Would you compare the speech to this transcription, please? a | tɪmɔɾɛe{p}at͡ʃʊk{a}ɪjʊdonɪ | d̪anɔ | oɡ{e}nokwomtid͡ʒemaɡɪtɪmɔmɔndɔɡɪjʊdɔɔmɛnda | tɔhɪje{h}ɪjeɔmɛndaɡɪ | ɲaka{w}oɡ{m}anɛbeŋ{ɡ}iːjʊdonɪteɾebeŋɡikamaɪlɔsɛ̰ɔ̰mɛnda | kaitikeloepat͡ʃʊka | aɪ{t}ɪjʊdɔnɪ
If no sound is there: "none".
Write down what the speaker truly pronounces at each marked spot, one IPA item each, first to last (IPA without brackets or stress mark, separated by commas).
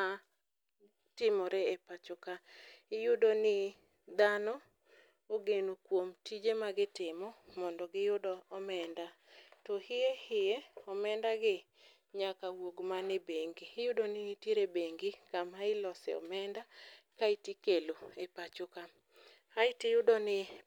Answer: p, a, e, h, w, m, ɡ, t